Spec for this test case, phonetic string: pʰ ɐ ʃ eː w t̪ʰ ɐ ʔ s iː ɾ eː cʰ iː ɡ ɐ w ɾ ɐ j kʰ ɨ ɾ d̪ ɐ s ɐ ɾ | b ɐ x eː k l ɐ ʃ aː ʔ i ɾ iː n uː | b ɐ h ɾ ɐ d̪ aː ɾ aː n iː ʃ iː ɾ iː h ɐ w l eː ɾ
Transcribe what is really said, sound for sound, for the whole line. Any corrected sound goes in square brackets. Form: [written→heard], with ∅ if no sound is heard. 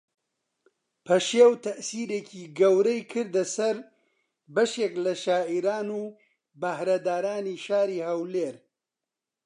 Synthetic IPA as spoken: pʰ ɐ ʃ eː w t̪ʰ ɐ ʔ s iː ɾ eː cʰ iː ɡ ɐ w ɾ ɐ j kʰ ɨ ɾ d̪ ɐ s ɐ ɾ | b ɐ [x→ʃ] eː k l ɐ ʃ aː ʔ i ɾ [iː→aː] n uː | b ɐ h ɾ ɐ d̪ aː ɾ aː n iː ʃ [iː→aː] ɾ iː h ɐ w l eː ɾ